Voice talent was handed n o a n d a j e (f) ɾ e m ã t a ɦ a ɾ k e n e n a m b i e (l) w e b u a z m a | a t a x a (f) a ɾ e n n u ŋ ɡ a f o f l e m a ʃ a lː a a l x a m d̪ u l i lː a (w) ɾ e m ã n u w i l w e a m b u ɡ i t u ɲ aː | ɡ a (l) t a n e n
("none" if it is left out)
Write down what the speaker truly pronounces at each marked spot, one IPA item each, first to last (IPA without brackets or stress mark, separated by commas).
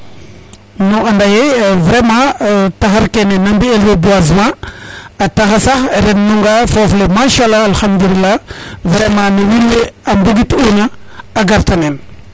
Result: v, l, s, v, ɾ